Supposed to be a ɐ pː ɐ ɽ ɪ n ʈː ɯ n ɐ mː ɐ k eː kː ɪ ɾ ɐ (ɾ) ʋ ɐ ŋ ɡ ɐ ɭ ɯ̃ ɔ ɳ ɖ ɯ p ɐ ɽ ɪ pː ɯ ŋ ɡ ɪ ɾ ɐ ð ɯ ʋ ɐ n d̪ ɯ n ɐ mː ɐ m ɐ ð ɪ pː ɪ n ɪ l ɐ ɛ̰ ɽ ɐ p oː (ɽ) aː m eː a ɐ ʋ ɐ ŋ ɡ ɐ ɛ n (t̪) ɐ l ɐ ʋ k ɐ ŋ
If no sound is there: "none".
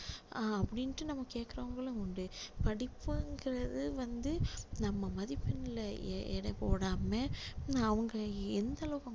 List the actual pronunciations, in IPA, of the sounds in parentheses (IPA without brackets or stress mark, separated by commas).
none, ɽ, d̪